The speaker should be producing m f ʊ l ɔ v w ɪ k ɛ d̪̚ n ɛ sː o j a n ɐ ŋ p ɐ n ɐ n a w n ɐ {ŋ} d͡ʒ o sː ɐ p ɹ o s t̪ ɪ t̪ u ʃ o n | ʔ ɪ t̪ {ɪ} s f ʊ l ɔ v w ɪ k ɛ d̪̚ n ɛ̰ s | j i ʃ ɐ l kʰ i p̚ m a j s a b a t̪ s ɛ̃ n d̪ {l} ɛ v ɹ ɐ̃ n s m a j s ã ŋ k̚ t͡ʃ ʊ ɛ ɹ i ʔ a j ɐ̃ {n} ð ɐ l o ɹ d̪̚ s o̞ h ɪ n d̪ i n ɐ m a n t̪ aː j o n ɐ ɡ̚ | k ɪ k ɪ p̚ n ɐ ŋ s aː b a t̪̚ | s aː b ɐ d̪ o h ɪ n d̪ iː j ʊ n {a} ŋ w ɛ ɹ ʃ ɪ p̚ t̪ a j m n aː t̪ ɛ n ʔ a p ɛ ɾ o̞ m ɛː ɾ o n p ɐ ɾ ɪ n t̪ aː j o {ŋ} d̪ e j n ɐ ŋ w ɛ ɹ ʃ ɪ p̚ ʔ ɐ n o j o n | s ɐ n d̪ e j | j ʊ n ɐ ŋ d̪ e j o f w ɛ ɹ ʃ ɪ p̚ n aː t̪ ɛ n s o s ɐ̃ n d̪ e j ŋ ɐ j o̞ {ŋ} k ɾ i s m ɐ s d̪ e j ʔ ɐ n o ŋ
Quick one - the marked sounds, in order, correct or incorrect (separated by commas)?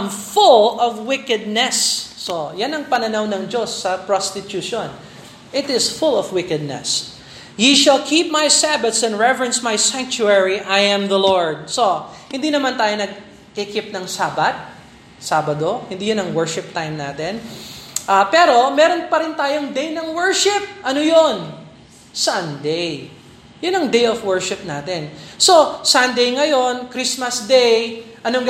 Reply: correct, correct, incorrect, incorrect, incorrect, correct, incorrect